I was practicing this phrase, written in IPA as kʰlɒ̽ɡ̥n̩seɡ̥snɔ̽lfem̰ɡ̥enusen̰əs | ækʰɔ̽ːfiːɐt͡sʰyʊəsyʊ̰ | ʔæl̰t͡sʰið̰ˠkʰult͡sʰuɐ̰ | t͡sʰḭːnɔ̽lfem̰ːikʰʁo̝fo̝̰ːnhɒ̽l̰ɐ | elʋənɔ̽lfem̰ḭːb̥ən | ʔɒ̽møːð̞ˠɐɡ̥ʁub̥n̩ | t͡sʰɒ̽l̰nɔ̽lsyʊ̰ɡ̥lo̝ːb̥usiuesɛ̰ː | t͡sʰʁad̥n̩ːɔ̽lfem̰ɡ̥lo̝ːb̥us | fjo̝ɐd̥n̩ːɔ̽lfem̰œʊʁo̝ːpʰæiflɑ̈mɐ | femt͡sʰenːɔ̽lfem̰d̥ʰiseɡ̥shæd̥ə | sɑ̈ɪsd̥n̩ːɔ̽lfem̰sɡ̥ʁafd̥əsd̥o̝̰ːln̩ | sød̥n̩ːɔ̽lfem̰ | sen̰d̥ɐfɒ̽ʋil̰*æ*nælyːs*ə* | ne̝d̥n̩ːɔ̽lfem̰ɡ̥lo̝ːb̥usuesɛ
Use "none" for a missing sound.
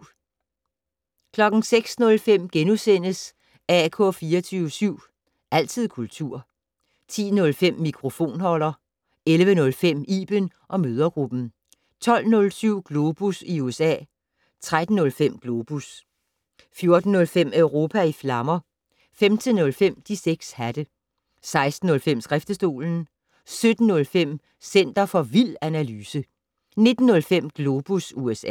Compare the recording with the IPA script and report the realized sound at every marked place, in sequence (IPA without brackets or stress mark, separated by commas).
æ, ə